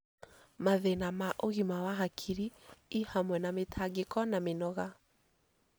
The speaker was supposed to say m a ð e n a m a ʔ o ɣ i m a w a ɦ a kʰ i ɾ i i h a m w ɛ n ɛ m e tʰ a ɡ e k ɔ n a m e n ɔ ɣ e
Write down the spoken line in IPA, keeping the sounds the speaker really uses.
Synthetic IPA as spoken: m a ð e n a m a ʔ o ɣ i m a w a ɦ a kʰ i ɾ i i h a m w ɛ n a m e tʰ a ɡ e k ɔ n a m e n ɔ ɣ a